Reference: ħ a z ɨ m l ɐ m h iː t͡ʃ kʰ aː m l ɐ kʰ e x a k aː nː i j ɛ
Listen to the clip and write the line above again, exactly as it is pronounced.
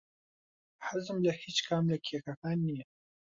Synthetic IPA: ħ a z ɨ m l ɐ h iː t͡ʃ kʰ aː m l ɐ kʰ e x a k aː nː i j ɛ